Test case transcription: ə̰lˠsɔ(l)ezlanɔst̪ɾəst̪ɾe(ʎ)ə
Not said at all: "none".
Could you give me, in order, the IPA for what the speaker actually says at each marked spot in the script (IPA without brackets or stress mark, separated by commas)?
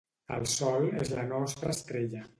l, ʎ